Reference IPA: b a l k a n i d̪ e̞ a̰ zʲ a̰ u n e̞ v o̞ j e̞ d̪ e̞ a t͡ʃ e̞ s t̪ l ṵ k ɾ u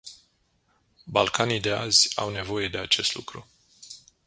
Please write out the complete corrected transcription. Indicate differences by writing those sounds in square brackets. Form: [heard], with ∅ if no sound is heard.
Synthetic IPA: b a l k a n i d̪ e̞ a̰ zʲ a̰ [w] n e̞ v o̞ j e̞ d̪ e̞ a t͡ʃ e̞ s t̪ l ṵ k ɾ u